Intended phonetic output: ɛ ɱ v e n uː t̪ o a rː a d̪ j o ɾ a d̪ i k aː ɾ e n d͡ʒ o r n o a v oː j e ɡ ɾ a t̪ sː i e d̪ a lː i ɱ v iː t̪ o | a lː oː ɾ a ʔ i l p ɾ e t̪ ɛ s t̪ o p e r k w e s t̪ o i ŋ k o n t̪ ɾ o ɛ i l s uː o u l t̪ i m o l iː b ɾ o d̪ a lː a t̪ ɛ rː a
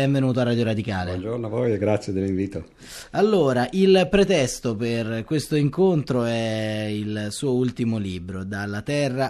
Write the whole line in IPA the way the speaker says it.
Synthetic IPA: ɛ ɱ v e n uː t̪ o a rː a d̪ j o ɾ a d̪ i k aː l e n d͡ʒ o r n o a v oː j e ɡ ɾ a t̪ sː j e d̪ e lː i ɱ v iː t̪ o | a lː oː ɾ a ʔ i l p ɾ e t̪ ɛ s t̪ o p e r k w e s t̪ o i ŋ k o n t̪ ɾ o ɛ i l s uː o u l t̪ i m o l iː b ɾ o d̪ a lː a t̪ ɛ rː a